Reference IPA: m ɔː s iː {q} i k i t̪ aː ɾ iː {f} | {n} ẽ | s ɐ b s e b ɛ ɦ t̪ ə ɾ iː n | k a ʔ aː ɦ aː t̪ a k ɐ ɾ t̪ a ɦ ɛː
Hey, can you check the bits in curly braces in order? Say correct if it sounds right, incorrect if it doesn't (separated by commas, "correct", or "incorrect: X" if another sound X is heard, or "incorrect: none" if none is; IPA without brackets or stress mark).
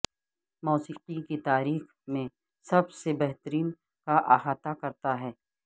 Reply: correct, incorrect: x, incorrect: m